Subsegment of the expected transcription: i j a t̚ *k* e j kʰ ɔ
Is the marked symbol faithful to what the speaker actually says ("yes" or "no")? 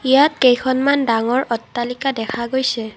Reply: yes